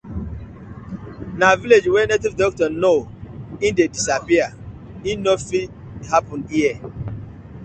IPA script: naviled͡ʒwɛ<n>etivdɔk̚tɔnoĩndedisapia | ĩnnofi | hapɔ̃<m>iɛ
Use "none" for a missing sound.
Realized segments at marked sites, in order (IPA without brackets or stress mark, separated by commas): n, n